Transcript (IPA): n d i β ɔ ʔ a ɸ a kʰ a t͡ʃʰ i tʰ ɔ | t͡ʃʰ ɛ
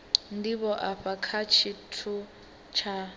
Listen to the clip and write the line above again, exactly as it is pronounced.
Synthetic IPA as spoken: n d i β ɔ ʔ a ɸ a kʰ a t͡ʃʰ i tʰ u | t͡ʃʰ a